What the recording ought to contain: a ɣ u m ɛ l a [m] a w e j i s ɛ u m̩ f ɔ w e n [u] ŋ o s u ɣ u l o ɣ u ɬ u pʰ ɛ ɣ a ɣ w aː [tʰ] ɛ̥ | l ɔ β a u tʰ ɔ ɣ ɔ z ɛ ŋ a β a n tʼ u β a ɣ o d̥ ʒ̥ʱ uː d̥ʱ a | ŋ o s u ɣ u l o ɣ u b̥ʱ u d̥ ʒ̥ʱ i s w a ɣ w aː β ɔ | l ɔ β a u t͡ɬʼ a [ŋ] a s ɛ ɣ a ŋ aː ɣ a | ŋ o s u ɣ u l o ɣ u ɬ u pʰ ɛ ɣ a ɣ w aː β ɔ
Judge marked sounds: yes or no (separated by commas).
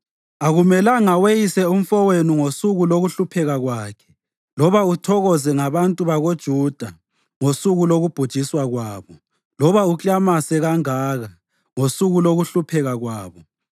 no, yes, no, no